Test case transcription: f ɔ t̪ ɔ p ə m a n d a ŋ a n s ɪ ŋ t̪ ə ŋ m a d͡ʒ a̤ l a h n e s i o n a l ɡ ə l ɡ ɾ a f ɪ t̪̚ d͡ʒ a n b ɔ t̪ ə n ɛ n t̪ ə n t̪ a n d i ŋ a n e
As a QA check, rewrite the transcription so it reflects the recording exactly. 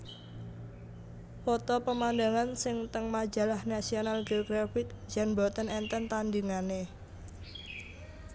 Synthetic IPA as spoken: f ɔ t̪ ɔ p ə m a n d a ŋ a n s ɪ ŋ t̪ ə ŋ m a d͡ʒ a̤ l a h n a s i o n a l ɡ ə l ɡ ɾ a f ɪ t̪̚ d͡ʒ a n b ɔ t̪ ə n ɛ n t̪ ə n t̪ a n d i ŋ a n e

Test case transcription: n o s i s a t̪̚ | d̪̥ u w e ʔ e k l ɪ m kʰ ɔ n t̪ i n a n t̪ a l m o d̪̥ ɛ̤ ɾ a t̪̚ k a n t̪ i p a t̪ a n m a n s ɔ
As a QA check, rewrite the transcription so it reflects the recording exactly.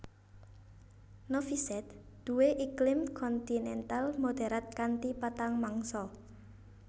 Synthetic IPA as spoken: n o f i s ɛ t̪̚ | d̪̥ u w e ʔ i k l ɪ m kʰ ɔ n t̪ i n ɛ n t̪ a l m o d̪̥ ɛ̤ ɾ a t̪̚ k a n t̪ i p a t̪ a ŋ m a ŋ s ɔ

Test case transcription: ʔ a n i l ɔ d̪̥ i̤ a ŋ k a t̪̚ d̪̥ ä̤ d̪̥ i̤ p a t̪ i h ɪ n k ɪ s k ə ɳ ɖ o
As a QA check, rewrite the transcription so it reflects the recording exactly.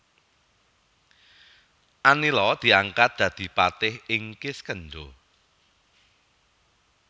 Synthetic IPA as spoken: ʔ a n i l ɔ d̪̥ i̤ a ŋ k a t̪̚ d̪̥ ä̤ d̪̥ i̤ p a t̪ ɪ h ɪ ŋ k ɪ s k ə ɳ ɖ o

